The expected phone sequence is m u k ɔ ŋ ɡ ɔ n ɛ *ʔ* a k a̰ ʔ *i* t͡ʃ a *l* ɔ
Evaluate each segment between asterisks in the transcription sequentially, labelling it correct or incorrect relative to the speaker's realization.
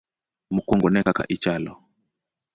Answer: incorrect: k, correct, correct

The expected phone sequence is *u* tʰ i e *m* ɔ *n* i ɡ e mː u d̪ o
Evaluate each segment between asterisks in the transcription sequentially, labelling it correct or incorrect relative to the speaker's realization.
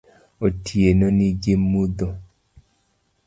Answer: incorrect: o, incorrect: n, correct

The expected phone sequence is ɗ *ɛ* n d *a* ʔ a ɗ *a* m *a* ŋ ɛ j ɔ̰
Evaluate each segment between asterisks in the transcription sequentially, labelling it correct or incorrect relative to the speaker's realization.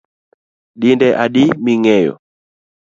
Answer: incorrect: i, incorrect: ɛ, incorrect: i, incorrect: i

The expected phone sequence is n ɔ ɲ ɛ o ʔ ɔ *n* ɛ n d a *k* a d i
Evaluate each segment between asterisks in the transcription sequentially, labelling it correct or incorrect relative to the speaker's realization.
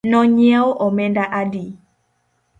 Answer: incorrect: m, incorrect: ʔ

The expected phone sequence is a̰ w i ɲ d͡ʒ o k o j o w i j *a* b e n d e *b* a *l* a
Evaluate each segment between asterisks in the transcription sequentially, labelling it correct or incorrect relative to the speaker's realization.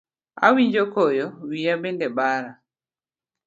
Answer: correct, correct, incorrect: ɾ

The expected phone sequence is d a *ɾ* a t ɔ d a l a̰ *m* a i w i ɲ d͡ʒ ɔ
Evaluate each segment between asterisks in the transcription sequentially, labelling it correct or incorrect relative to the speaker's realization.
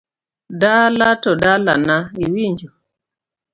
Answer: incorrect: l, incorrect: n

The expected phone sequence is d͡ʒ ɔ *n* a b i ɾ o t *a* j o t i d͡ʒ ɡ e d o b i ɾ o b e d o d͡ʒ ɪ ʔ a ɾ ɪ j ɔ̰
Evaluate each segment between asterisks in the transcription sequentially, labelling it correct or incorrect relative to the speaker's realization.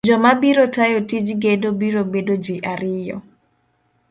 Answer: incorrect: m, correct

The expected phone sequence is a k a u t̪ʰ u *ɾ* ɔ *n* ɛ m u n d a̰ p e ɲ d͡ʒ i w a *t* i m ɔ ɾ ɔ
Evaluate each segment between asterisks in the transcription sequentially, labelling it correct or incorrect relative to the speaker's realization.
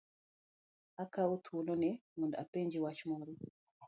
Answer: incorrect: l, correct, incorrect: t͡ʃ

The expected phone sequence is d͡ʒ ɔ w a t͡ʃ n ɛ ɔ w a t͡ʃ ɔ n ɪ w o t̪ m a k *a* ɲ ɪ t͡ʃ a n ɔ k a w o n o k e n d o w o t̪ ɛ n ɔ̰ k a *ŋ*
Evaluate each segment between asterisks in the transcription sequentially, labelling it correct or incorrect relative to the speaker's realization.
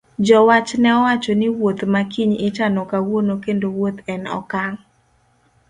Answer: incorrect: i, correct

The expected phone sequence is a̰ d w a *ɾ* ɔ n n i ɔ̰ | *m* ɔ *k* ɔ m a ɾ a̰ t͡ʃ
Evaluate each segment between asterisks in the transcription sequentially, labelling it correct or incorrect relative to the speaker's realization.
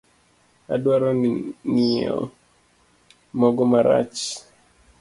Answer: correct, correct, incorrect: ɡ

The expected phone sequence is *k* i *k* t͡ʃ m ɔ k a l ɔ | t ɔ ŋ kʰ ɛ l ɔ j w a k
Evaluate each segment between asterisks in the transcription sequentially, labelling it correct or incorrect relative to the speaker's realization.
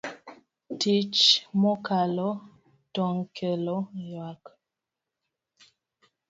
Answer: incorrect: t, incorrect: none

